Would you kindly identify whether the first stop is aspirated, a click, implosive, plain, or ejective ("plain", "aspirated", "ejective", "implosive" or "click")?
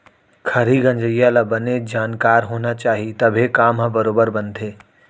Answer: aspirated